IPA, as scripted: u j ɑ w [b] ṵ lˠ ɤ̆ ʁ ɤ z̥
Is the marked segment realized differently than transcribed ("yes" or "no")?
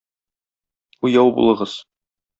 no